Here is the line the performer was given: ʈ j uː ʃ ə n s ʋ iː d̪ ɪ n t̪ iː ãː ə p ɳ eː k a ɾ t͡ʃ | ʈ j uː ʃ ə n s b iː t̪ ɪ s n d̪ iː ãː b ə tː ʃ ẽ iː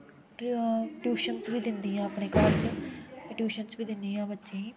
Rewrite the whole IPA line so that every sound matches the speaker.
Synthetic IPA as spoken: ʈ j uː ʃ ə n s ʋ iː d̪ ɪ n d̪ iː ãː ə p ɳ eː k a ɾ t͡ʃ | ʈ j uː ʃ ə n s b iː d̪ ɪ n d̪ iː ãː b ə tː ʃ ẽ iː